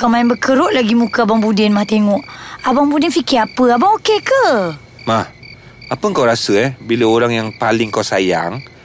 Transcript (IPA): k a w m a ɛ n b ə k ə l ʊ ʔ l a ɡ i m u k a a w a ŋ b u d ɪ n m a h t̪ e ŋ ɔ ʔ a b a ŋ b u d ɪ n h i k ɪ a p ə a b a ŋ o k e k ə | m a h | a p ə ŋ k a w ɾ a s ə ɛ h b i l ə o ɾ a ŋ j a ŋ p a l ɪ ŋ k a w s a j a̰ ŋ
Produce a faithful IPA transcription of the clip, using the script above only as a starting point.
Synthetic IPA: k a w m a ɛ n b ə k ə ɾ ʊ ʔ l a ɡ i m u k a a b a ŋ b u d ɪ n m a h t̪ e ŋ ɔ ʔ a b a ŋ b u d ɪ n f i k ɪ a p ə a b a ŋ o k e k ə | m a h | a p ə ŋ k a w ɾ a s ə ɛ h b i l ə o ɾ a ŋ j a ŋ p a l ɪ ŋ k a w s a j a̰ ŋ